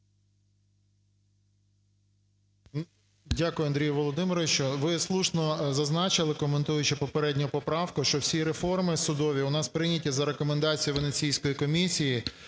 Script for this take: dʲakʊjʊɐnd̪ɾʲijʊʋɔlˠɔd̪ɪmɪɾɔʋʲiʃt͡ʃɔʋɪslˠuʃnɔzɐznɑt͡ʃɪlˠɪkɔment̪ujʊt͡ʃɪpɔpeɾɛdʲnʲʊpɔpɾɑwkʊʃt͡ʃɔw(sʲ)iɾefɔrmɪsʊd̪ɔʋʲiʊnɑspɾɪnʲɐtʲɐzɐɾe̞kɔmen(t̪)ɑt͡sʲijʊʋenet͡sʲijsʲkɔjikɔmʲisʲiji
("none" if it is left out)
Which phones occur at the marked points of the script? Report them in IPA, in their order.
sʲ, d̪

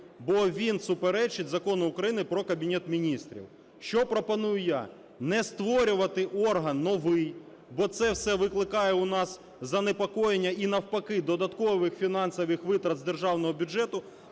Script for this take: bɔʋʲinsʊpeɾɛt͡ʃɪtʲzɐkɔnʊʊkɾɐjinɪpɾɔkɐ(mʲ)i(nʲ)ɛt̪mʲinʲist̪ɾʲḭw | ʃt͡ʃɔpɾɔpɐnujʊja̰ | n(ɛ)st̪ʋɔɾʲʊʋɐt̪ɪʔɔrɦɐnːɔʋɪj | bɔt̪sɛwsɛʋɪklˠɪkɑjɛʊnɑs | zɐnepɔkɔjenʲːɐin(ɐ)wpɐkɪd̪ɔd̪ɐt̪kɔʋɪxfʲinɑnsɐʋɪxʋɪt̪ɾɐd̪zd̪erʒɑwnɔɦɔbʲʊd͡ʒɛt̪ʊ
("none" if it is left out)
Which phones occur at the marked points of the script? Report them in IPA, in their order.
bʲ, nʲ, ɛ, ɐ

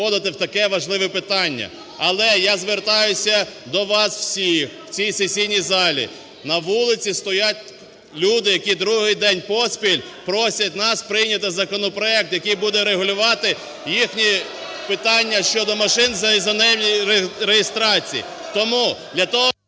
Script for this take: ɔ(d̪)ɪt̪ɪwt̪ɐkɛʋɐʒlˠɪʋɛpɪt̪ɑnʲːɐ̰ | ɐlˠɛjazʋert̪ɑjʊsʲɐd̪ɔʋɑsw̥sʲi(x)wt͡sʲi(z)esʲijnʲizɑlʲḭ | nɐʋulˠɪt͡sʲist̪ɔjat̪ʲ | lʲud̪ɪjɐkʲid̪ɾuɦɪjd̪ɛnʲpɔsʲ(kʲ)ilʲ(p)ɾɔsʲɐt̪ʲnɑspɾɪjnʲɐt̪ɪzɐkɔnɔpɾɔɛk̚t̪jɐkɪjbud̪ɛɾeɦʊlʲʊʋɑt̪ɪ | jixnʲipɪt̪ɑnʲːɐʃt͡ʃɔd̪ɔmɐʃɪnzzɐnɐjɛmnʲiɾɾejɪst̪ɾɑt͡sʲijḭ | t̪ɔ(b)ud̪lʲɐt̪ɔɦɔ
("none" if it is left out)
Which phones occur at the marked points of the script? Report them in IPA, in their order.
d̪, x, s, pʲ, p, m

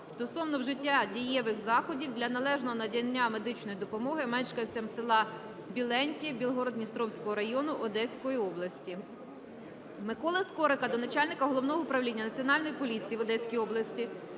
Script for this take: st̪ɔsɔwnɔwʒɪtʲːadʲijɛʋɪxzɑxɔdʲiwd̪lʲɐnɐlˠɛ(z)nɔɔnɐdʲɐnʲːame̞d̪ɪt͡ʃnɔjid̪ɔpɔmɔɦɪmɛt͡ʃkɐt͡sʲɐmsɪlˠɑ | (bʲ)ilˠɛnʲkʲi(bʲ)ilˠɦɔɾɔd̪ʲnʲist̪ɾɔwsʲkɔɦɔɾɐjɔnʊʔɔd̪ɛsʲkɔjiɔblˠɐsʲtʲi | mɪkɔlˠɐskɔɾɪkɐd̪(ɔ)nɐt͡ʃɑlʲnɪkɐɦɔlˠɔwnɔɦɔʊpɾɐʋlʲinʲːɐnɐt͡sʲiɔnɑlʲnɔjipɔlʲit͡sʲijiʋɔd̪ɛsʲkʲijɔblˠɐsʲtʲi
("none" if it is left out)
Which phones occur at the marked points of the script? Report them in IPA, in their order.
ʒ, bʲ, bʲ, ɔ

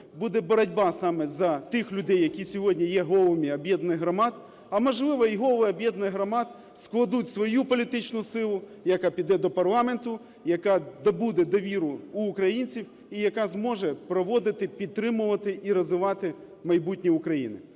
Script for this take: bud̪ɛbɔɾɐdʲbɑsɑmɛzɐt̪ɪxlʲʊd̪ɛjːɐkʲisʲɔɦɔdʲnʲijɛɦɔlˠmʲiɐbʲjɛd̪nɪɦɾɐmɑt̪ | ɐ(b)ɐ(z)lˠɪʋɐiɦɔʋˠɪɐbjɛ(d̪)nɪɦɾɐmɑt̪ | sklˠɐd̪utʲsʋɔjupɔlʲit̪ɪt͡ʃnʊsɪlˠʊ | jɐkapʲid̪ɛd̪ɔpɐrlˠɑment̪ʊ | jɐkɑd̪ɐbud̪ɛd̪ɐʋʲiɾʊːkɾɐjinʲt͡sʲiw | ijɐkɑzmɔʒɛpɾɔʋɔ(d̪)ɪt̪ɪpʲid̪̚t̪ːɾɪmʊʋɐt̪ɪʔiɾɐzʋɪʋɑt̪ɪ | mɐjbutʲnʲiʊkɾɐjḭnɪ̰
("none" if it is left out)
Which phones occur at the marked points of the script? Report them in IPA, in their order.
m, ʒ, d̪, d̪

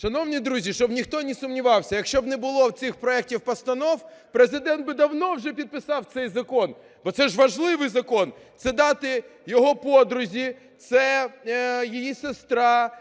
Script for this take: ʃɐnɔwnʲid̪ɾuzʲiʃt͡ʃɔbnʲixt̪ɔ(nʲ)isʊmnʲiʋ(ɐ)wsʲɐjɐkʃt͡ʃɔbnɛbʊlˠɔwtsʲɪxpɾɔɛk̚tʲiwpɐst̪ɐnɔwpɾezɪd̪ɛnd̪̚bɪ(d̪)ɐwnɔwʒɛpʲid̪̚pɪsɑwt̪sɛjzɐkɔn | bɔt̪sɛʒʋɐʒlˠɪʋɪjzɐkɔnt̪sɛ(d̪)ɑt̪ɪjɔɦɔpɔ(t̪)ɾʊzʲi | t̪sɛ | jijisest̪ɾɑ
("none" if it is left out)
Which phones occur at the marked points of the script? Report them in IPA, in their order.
nʲ, ɑ, d̪, d̪, d̪

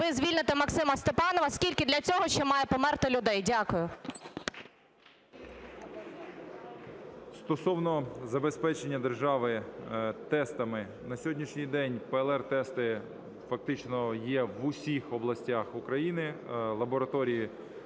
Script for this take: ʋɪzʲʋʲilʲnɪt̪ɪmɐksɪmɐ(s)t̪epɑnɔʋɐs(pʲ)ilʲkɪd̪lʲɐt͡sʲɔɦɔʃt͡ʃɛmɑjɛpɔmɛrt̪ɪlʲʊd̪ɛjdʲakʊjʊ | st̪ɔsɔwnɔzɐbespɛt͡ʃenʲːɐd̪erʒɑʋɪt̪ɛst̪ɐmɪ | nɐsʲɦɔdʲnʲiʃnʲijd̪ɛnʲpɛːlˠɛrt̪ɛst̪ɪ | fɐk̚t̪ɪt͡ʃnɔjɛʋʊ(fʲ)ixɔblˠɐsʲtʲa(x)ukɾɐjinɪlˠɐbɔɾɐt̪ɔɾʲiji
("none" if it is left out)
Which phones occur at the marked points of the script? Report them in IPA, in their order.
s, kʲ, sʲ, x

